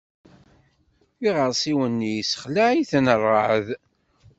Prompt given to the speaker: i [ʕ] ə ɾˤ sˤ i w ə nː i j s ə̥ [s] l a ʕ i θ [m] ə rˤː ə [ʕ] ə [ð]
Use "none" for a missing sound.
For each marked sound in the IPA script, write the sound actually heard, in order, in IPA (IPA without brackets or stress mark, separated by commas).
ʁ, χ, n, ʕ, ð